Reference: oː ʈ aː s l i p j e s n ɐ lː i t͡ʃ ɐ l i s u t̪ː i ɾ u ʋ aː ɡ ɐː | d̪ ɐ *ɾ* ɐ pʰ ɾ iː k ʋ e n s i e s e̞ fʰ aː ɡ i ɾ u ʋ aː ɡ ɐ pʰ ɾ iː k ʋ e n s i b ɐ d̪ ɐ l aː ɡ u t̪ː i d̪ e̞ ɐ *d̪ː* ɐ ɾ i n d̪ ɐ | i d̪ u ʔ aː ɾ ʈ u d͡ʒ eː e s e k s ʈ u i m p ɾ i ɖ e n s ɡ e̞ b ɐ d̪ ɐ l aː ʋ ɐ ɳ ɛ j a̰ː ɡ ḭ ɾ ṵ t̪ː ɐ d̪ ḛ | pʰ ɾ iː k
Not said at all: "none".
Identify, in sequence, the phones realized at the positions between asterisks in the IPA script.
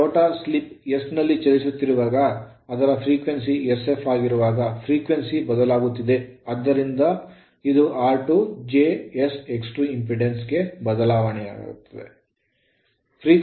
ɾ, d̪ː

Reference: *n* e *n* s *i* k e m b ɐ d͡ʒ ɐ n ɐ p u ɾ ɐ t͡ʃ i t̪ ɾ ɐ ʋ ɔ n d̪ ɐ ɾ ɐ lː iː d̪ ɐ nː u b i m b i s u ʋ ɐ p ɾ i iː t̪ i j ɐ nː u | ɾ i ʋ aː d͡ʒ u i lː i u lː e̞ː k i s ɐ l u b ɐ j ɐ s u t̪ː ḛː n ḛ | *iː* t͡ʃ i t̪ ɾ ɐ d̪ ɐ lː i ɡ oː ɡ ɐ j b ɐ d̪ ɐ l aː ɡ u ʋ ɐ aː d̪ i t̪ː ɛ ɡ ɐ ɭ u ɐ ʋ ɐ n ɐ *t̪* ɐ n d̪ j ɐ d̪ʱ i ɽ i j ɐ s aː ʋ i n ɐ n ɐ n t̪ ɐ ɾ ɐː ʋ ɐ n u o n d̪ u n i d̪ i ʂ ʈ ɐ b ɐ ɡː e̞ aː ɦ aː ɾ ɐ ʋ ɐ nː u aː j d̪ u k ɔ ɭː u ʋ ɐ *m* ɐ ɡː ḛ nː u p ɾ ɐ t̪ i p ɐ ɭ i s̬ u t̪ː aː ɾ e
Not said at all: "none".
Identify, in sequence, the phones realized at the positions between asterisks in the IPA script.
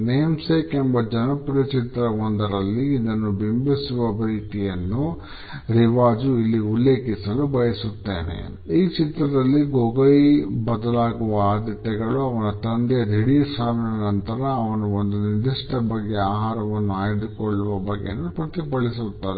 n, m, e, iː, t̪, b

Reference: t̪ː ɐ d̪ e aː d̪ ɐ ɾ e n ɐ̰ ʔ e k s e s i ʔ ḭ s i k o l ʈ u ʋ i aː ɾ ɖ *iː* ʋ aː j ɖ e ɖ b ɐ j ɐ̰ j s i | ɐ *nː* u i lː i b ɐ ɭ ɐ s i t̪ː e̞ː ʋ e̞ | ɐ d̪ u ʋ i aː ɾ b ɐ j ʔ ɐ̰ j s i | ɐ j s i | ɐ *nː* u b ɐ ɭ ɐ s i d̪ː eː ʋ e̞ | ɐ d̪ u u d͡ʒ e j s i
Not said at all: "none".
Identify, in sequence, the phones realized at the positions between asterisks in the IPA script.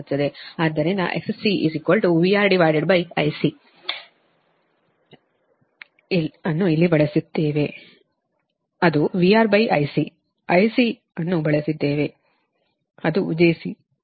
i, nː, nː

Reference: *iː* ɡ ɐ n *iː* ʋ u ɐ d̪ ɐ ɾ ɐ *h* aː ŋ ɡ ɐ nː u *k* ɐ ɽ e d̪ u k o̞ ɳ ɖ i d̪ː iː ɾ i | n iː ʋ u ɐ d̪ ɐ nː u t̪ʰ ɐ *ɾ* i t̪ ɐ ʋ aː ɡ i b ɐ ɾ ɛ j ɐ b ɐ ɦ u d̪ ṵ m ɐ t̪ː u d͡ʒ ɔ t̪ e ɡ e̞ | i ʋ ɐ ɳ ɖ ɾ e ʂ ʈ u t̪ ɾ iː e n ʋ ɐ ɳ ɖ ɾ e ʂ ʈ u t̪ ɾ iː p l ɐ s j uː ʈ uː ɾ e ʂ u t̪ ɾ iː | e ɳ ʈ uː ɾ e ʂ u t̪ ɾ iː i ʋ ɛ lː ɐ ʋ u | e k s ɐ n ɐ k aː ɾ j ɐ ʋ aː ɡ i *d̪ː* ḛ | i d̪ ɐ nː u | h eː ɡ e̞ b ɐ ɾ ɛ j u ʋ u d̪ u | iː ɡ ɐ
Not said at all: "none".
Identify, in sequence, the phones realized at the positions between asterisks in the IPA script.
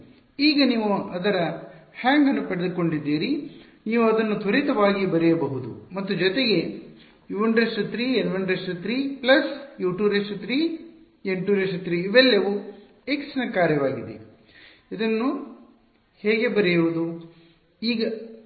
iː, iː, h, p, ɾ, d̪

